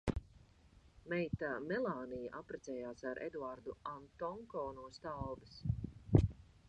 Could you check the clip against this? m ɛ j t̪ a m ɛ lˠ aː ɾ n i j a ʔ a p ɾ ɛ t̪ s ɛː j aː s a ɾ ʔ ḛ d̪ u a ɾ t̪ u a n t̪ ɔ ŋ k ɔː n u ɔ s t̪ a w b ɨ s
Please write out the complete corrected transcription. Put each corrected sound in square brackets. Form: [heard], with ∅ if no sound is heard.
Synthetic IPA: m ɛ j t̪ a m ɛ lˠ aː [∅] n i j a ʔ a p ɾ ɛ t̪ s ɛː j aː s a ɾ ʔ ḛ d̪ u a ɾ [d̪] u a n t̪ ɔ ŋ k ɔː n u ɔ s t̪ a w b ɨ s